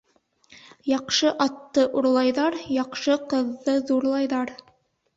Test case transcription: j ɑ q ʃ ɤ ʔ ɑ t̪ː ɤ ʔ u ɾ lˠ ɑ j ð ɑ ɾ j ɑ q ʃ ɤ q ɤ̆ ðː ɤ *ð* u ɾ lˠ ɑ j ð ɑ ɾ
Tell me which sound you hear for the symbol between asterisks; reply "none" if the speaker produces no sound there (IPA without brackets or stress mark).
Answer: ð